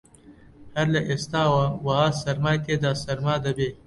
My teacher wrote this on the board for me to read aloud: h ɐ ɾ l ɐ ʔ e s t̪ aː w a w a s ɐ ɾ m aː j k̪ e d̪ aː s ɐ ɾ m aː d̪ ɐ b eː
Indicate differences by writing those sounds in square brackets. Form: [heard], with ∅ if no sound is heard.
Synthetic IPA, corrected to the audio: h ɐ ɾ l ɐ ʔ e s t̪ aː w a w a s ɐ ɾ m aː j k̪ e d̪ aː s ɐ ɾ m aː d̪ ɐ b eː